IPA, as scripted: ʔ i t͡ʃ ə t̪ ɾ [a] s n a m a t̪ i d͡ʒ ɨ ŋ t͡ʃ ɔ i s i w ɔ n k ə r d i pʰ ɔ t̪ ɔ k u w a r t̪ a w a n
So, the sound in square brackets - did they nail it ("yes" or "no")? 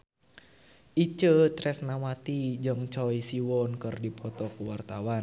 no